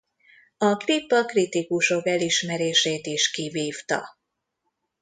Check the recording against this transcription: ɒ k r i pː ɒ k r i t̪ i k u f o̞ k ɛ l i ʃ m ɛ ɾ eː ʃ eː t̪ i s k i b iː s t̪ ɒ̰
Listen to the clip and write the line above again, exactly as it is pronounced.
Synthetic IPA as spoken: ɒ k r i pː ɒ k r i t̪ i k u ʃ o̞ k ɛ l i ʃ m ɛ ɾ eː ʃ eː t̪ i ʃ k i v iː f t̪ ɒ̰